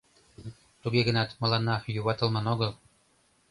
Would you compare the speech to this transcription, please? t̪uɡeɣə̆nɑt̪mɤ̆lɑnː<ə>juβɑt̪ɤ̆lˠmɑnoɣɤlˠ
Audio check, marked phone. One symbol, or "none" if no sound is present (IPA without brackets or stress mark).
ɑ